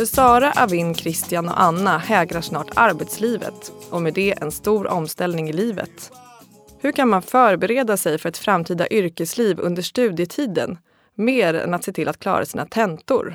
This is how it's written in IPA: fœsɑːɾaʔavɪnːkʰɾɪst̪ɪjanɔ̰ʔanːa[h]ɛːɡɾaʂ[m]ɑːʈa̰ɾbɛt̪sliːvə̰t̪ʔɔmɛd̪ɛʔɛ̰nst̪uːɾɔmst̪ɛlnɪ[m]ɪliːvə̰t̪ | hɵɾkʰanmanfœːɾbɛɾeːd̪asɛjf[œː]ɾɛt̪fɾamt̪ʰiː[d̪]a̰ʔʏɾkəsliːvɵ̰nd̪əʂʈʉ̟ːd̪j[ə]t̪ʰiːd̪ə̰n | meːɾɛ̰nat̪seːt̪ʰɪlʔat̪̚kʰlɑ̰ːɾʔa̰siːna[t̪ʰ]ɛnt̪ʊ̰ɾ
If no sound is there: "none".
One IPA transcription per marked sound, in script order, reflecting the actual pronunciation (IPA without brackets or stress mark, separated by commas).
h, n, ŋ, œ, d̪, ə, t̪ʰ